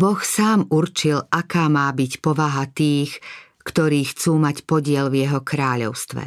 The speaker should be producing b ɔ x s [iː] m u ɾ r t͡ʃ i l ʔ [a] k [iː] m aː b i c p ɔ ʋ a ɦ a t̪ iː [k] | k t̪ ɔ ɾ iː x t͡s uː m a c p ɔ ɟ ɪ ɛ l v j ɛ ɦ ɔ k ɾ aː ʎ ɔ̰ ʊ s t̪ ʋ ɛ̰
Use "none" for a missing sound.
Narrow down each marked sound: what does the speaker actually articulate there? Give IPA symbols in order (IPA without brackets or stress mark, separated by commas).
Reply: aː, a, aː, x